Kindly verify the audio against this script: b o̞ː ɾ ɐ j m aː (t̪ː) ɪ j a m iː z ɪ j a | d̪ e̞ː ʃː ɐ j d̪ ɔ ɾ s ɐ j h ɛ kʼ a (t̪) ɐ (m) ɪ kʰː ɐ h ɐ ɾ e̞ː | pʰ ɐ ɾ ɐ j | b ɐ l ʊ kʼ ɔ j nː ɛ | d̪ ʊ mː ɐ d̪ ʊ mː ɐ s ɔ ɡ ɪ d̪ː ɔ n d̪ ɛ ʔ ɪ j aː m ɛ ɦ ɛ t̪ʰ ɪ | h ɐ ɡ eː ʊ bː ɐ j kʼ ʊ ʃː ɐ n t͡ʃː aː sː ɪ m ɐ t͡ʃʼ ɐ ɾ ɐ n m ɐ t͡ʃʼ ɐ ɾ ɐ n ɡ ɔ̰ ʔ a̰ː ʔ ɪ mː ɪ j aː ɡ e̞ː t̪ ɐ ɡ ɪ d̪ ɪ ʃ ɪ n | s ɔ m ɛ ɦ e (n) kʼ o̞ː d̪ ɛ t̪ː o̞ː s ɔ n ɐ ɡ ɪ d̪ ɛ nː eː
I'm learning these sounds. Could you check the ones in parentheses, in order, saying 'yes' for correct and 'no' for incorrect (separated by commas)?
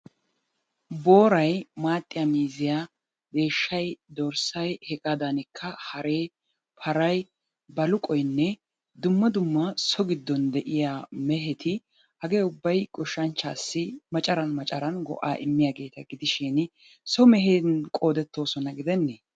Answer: no, no, no, yes